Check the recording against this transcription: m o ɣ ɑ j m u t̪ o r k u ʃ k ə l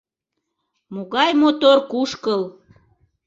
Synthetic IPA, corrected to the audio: m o ɣ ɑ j m o t̪ o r k u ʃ k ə l